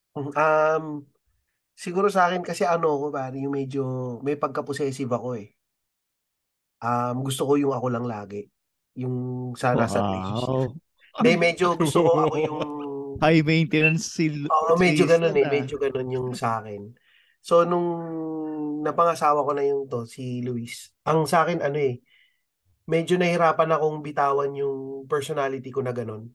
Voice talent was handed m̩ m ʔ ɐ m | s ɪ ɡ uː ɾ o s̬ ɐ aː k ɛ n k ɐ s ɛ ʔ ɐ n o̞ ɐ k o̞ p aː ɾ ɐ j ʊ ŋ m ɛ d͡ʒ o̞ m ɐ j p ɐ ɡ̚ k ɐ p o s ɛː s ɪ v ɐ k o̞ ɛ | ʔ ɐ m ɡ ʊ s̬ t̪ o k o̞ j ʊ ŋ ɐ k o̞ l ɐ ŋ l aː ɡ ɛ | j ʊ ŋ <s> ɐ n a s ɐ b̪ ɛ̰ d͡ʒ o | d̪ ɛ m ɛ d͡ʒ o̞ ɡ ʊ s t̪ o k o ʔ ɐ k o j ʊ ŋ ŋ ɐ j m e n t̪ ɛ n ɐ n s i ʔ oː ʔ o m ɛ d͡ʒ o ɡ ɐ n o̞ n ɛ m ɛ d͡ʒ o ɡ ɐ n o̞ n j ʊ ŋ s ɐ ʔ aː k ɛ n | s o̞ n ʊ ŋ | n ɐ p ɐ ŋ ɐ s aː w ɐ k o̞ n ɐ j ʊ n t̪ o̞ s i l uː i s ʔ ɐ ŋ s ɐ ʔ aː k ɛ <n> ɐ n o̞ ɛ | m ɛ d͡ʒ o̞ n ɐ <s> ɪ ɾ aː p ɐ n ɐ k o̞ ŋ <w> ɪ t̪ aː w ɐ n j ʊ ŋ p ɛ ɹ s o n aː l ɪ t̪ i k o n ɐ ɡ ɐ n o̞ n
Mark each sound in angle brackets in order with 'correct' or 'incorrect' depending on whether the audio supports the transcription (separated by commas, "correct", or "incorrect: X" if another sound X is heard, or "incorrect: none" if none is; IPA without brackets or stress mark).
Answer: correct, correct, incorrect: h, incorrect: b